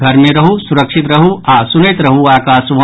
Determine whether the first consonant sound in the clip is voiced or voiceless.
voiced